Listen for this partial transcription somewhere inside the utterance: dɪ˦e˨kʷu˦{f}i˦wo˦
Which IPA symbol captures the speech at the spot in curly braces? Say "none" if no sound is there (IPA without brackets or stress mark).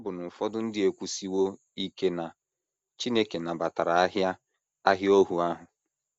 s